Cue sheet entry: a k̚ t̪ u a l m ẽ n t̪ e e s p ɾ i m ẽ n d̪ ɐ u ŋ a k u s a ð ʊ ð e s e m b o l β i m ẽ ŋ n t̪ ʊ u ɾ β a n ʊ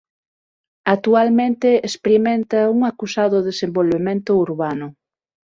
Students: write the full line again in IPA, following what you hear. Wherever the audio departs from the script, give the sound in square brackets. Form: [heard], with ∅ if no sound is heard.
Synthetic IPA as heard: a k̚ t̪ u a l m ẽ n t̪ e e s p ɾ i m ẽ n [t̪] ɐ u ŋ a k u s a ð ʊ ð e s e m b o l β [e] m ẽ [∅] n t̪ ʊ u ɾ β a n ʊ